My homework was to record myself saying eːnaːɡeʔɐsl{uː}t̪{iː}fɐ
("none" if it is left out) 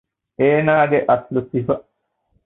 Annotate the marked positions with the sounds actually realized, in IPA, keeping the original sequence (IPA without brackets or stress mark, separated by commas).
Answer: u, i